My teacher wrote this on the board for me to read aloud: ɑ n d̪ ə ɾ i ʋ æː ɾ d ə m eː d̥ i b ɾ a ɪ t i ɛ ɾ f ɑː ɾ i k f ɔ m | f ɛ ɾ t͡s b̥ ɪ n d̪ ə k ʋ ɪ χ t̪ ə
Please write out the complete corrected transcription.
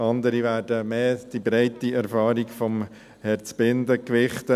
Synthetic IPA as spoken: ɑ n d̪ ə ɾ i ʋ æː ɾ d ə m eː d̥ i b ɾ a ɪ t i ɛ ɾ f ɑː ɾ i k f ɔ m | h ɛ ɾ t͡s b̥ ɪ n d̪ ə k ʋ ɪ χ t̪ ə